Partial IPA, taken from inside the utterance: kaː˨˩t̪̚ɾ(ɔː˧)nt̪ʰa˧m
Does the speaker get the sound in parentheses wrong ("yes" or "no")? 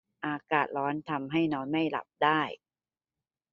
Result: yes